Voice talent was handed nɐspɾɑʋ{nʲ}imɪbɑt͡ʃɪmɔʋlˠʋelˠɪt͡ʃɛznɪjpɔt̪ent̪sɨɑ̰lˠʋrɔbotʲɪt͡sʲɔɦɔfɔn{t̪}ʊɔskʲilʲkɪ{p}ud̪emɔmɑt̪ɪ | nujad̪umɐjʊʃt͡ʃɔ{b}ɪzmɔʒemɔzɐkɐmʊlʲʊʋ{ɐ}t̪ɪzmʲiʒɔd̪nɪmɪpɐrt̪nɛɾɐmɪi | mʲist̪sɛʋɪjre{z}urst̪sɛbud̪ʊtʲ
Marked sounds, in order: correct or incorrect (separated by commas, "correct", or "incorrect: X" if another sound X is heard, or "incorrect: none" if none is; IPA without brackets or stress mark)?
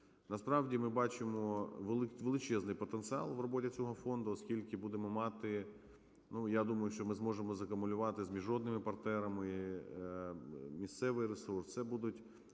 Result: incorrect: dʲ, incorrect: d̪, incorrect: b, incorrect: m, incorrect: ɑ, incorrect: s